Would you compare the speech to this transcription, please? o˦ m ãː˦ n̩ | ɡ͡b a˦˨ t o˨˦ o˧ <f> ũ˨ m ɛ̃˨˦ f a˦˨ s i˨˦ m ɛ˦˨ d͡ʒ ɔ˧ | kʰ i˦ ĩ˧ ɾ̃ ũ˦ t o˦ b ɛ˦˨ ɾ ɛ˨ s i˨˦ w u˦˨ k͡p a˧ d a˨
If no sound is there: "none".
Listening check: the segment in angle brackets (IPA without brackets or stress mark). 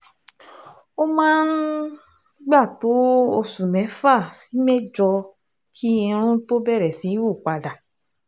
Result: s